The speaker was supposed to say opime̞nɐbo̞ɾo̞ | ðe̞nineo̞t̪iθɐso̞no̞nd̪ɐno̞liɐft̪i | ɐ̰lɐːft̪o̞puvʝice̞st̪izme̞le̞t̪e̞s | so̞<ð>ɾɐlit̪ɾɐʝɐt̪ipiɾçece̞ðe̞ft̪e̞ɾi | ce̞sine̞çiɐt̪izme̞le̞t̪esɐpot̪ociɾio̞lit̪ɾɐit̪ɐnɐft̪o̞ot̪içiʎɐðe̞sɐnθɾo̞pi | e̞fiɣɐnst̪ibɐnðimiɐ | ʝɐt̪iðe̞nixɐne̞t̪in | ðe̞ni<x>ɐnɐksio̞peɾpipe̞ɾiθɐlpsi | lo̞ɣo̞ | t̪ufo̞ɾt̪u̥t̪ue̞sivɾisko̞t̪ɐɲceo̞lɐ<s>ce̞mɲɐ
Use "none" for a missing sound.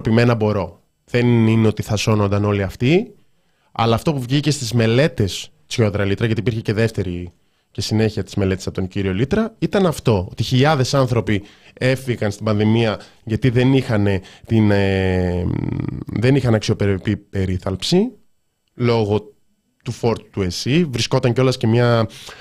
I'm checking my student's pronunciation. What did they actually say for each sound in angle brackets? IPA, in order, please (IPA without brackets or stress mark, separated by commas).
ð, x, s